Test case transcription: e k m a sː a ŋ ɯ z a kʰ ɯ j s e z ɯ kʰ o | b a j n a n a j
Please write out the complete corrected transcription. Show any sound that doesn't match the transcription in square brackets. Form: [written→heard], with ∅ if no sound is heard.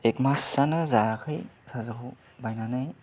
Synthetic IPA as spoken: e k m a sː a [ŋ→n] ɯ z a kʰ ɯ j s [e→a] z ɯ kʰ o | b a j n a n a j